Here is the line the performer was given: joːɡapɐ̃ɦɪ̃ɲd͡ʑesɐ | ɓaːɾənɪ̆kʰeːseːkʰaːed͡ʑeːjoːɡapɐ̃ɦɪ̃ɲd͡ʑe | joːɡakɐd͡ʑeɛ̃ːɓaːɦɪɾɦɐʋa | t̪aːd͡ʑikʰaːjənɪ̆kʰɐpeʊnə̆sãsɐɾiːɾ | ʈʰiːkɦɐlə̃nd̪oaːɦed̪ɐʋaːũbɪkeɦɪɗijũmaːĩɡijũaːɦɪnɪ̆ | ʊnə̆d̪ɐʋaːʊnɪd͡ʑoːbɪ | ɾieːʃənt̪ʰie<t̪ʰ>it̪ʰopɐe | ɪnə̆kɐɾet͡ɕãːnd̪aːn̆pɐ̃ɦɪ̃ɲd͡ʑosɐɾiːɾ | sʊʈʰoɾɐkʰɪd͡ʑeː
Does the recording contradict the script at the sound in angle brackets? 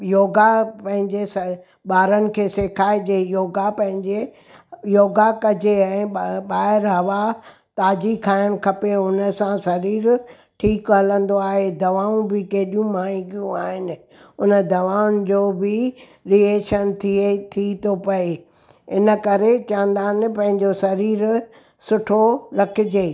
no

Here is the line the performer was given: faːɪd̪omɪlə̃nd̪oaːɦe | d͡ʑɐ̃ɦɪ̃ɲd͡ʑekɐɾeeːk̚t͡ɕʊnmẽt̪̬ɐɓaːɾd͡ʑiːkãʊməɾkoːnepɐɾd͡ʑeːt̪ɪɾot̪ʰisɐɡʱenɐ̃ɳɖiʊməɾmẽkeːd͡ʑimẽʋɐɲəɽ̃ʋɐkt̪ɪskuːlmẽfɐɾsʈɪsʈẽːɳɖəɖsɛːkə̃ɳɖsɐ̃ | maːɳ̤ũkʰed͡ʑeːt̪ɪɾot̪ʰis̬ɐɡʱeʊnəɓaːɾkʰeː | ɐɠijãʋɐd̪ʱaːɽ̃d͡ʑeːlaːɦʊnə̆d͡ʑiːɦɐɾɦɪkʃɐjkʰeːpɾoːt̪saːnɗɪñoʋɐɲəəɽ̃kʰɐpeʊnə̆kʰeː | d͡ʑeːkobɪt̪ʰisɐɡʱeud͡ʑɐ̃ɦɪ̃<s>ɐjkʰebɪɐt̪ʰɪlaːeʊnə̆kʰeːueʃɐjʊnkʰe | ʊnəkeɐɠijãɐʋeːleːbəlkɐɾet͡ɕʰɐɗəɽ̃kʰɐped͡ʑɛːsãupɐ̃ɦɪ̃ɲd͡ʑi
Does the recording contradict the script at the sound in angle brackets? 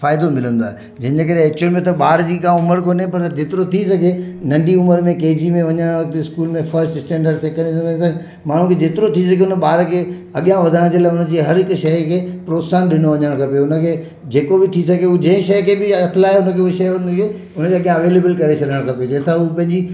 yes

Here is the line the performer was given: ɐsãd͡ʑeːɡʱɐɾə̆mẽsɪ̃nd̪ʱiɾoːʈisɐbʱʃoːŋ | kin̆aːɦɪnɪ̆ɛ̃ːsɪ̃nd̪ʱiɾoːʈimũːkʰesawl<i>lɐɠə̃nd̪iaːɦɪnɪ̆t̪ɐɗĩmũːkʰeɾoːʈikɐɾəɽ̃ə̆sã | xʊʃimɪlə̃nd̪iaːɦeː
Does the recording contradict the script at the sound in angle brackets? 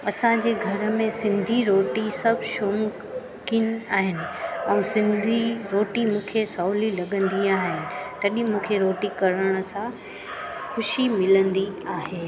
no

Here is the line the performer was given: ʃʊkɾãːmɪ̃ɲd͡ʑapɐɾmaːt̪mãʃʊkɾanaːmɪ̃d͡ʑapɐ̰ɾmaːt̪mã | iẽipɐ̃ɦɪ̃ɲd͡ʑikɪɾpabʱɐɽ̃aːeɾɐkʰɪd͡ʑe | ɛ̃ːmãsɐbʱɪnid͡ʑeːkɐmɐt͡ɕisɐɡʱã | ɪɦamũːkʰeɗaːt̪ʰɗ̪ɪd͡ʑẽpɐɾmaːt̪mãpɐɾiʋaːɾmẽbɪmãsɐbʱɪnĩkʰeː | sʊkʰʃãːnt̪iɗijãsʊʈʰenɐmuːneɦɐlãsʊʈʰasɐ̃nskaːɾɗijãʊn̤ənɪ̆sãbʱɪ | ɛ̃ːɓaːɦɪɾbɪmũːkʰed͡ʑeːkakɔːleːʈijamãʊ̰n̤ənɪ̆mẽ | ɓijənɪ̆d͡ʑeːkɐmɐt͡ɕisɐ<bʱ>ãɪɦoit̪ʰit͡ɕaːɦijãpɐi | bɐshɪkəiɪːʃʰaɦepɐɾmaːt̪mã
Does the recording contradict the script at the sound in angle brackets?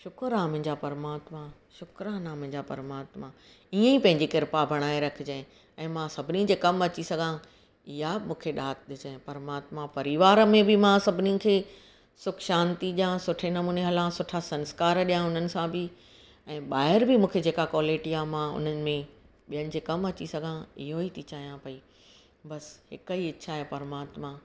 yes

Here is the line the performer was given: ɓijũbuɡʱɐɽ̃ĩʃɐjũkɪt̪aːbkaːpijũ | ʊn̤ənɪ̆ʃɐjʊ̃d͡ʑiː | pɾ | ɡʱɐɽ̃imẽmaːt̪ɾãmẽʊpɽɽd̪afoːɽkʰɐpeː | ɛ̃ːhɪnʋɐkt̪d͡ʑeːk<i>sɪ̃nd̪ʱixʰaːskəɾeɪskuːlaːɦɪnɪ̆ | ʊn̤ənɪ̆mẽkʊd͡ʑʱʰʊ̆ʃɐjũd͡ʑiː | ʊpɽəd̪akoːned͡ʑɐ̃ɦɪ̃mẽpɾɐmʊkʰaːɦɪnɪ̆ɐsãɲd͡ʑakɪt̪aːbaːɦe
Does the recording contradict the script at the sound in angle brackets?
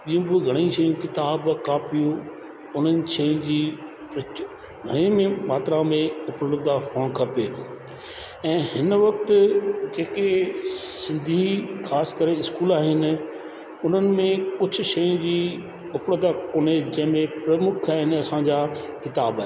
yes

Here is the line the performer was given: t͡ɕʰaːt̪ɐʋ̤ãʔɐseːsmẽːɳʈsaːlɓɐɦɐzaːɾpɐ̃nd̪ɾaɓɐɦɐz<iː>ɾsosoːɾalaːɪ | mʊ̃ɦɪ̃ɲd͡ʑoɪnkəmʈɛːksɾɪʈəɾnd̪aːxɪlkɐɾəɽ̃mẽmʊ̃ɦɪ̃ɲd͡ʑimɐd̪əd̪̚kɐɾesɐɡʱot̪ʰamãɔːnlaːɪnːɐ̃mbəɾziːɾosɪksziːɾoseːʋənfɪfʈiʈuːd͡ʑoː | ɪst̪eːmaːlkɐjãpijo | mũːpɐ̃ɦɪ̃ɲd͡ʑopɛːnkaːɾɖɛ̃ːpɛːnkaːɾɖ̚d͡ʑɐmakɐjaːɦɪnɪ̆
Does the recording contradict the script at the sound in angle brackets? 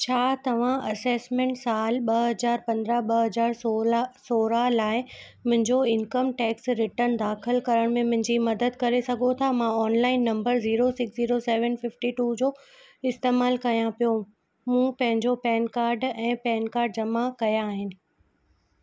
yes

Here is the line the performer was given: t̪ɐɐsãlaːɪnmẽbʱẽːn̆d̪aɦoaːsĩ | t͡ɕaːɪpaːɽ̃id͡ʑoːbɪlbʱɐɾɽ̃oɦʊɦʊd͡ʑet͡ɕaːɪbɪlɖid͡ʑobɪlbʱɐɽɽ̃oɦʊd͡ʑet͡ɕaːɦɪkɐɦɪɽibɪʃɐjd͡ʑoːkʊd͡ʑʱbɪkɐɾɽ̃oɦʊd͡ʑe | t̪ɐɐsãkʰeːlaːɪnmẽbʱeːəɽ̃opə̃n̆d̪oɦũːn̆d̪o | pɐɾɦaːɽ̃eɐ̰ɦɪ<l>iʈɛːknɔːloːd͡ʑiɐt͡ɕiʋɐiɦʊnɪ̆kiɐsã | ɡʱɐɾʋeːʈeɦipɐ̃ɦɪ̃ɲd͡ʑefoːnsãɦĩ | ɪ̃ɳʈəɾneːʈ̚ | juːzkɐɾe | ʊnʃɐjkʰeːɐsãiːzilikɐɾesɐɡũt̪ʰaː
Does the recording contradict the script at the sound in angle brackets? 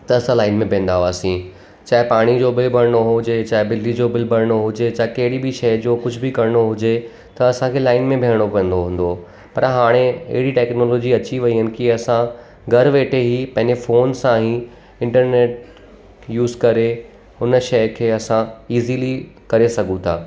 yes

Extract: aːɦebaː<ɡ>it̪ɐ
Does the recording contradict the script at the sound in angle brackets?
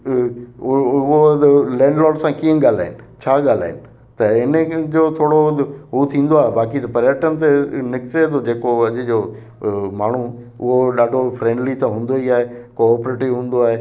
yes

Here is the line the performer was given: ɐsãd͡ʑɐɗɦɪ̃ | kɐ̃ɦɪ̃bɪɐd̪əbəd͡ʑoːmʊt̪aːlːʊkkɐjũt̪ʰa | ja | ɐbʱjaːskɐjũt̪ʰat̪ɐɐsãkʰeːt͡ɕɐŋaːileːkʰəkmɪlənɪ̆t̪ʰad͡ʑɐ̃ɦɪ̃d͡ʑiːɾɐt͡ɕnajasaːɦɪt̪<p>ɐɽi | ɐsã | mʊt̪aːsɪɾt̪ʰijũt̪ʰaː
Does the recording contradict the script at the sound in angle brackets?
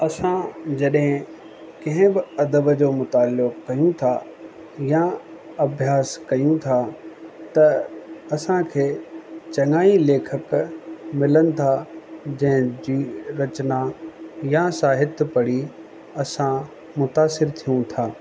no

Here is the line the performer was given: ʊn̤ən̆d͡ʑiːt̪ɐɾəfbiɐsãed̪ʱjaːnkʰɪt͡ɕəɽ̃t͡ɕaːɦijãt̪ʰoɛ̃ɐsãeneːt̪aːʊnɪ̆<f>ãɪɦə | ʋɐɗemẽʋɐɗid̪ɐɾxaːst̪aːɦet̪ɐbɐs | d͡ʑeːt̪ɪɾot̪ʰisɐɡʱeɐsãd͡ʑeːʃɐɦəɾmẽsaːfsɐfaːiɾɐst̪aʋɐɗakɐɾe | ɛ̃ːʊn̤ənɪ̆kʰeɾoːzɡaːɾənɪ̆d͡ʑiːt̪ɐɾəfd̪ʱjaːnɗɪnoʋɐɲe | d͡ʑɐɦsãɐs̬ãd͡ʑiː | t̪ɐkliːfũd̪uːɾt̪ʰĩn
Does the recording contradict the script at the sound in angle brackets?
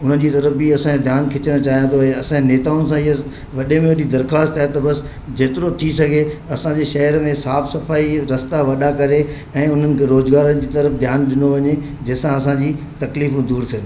yes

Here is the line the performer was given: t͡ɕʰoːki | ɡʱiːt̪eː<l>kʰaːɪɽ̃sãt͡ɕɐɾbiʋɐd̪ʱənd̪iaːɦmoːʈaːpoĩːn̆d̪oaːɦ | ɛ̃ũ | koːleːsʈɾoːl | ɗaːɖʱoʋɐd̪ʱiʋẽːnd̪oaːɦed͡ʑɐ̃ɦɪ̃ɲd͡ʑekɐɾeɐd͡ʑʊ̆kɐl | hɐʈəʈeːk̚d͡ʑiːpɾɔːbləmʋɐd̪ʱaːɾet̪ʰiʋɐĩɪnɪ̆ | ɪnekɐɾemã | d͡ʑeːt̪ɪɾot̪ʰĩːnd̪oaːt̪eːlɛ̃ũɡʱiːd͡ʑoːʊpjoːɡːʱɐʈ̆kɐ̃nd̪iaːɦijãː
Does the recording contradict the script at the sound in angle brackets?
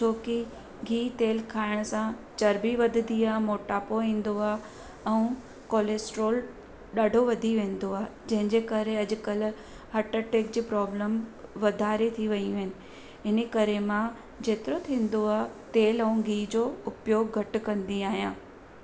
no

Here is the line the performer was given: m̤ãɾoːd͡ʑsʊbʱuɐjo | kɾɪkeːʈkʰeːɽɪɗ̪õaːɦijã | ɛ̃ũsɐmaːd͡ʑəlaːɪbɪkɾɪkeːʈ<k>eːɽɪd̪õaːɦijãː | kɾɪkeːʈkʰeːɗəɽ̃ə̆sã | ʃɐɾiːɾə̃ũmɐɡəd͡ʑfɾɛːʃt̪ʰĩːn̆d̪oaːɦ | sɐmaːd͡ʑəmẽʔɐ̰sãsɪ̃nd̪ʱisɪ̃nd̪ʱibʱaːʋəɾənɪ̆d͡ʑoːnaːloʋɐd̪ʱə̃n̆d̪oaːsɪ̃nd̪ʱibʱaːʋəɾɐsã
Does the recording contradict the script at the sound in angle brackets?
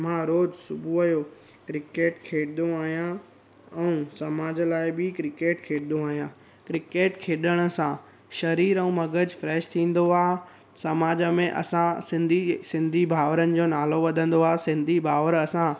yes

